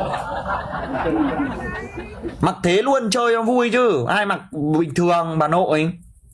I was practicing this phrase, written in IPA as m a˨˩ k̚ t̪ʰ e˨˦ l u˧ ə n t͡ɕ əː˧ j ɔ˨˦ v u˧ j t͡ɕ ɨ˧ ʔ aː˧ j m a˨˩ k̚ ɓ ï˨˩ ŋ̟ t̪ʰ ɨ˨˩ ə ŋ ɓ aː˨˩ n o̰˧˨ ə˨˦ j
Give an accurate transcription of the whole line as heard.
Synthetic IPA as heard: m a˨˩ k̚ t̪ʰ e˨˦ l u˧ ə n t͡ɕ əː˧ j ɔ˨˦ v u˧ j t͡ɕ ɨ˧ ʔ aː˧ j m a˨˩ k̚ ɓ ï˨˩ ŋ̟ t̪ʰ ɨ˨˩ ə ŋ ɓ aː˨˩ n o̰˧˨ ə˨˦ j